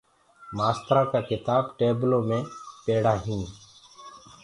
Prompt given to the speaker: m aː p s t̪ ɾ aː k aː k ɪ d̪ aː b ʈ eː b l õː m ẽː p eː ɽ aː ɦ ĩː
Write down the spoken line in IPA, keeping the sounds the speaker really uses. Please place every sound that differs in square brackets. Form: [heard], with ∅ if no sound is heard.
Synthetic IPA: m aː [∅] s t̪ ɾ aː k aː k ɪ [t̪] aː b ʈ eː b l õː m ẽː p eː ɽ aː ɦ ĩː